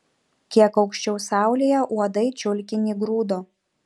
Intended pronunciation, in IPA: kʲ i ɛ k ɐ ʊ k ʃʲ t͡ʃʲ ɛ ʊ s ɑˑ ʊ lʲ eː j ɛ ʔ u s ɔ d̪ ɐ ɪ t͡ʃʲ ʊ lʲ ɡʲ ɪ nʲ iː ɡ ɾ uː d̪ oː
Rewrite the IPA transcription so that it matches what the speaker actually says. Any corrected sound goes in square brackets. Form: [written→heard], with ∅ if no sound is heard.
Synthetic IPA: kʲ i ɛ k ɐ ʊ k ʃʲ t͡ʃʲ ɛ ʊ s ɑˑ ʊ lʲ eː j ɛ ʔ u [s→∅] ɔ d̪ ɐ ɪ t͡ʃʲ ʊ lʲ [ɡʲ→kʲ] ɪ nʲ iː ɡ ɾ uː d̪ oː